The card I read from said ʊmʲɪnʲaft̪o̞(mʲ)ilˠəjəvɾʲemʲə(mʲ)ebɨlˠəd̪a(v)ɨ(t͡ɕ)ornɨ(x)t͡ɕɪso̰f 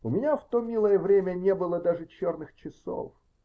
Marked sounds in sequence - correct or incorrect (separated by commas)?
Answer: correct, incorrect, incorrect, correct, correct